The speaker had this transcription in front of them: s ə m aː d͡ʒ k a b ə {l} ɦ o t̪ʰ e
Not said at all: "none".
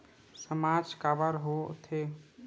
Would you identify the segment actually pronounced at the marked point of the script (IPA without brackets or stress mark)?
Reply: ɾ